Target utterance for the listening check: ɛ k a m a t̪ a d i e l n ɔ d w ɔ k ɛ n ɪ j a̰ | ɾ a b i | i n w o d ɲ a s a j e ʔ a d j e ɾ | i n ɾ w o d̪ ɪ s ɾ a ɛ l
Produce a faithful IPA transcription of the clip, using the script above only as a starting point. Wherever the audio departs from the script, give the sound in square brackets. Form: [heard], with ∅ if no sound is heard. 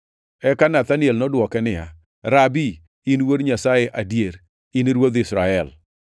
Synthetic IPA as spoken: ɛ k a [n] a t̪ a [n] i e l n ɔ d w ɔ k ɛ n ɪ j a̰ | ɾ a b i | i n w o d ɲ a s a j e ʔ a d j e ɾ | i n ɾ w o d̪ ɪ s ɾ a ɛ l